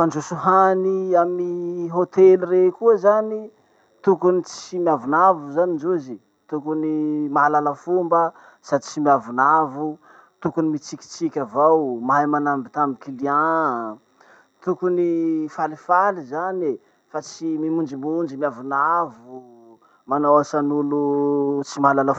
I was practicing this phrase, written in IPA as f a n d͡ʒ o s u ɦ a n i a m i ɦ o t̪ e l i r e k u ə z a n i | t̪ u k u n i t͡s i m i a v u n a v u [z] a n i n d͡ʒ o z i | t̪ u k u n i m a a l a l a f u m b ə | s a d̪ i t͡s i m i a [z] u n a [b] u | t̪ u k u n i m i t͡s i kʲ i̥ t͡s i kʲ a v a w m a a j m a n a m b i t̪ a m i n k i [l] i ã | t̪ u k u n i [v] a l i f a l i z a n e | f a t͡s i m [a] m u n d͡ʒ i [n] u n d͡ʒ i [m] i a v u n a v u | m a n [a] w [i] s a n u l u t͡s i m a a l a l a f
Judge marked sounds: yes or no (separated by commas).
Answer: yes, no, no, yes, no, no, no, yes, yes, no